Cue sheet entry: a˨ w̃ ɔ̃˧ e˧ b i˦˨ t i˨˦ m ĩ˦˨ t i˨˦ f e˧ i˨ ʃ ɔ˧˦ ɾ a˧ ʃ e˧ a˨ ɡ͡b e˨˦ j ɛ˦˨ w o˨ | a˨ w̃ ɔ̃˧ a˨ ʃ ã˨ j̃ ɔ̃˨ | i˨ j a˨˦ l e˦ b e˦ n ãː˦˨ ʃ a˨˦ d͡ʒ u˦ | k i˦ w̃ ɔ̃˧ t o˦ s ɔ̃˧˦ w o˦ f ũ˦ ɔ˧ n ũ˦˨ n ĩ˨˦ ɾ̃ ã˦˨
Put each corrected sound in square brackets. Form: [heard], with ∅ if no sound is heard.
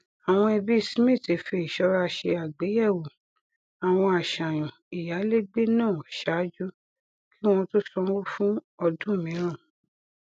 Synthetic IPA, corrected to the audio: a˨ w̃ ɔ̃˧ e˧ b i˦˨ [s] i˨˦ m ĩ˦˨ t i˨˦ f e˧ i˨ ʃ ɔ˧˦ ɾ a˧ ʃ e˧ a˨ ɡ͡b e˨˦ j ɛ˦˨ w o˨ | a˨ w̃ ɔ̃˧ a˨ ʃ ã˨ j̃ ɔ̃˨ | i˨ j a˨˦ l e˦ [ɡ͡b] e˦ n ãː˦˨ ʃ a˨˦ d͡ʒ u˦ | k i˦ w̃ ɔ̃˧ t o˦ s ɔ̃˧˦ w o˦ f ũ˦ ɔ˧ [d] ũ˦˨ [m] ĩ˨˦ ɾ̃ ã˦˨